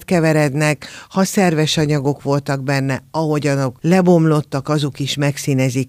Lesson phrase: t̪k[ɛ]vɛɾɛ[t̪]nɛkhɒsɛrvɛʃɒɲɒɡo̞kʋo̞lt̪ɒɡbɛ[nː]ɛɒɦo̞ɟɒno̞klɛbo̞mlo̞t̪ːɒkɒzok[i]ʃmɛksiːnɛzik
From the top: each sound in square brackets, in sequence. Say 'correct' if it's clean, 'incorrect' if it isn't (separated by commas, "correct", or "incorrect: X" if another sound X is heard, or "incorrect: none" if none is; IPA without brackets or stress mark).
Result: correct, incorrect: d̪, correct, correct